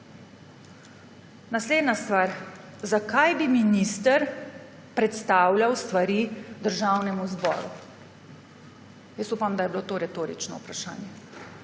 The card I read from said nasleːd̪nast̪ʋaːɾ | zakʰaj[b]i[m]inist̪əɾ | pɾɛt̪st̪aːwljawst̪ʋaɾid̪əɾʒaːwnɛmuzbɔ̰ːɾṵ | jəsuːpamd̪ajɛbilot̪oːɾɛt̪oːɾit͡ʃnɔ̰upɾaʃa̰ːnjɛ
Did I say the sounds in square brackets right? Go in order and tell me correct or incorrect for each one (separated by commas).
correct, correct